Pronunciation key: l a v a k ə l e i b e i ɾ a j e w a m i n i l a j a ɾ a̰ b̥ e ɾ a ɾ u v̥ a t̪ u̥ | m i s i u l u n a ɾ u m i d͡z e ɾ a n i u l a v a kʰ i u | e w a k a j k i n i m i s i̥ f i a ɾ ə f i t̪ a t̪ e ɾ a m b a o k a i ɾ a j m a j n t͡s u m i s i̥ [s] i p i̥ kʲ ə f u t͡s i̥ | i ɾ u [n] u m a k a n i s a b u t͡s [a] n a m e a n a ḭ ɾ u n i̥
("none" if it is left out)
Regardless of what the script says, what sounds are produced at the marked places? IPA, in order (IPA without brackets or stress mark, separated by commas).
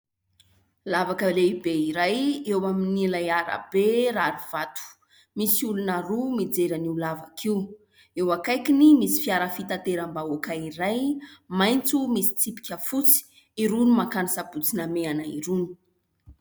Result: t͡s, n, i